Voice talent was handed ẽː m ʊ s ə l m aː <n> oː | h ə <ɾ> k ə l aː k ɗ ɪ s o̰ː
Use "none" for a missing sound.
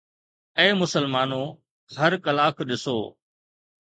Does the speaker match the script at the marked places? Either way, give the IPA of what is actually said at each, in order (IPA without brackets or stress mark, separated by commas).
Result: n, ɾ